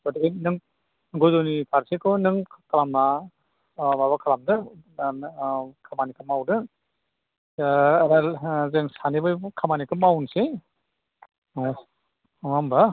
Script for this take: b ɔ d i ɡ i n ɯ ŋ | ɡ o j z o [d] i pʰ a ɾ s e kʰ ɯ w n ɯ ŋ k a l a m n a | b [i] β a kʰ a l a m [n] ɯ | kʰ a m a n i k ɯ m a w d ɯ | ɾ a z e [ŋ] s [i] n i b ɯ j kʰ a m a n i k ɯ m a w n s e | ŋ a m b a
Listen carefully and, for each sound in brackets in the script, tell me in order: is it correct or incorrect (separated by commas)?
incorrect, incorrect, incorrect, correct, incorrect